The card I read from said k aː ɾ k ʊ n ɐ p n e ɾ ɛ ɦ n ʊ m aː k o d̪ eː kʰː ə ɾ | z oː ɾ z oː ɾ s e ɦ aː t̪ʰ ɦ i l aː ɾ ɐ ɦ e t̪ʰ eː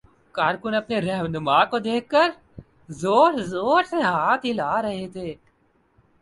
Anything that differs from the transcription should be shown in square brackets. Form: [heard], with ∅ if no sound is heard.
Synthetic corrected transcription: k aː ɾ k ʊ n ɐ p n e ɾ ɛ ɦ n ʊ m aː k o d̪ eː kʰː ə ɾ | z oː ɾ z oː ɾ s e ɦ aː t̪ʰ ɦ i l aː ɾ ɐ ɦ e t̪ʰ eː